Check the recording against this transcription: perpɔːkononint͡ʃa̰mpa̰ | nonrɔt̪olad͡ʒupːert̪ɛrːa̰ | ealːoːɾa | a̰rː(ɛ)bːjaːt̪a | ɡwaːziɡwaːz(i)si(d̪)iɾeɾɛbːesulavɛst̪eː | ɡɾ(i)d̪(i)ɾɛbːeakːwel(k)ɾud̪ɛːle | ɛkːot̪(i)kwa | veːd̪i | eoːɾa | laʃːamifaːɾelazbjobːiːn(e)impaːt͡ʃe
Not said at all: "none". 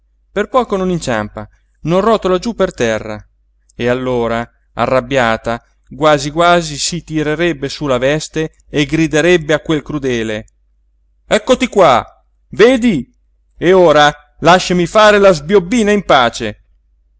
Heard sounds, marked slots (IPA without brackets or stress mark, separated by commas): a, i, t̪, i, e, k, i, a